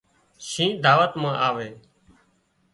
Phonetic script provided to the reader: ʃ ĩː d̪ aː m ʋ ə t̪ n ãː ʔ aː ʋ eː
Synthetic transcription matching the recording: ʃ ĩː d̪ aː ʋ ə t̪ m ãː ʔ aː ʋ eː

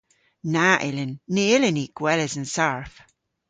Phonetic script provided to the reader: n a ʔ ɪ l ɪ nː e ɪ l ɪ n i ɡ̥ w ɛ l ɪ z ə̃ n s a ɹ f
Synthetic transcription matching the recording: n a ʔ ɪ l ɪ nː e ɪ l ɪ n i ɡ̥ w ɛ l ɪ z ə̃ n s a ɹ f

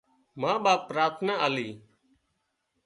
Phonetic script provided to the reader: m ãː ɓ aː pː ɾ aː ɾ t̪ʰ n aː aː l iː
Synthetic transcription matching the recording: m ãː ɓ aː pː ɾ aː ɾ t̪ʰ n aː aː l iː

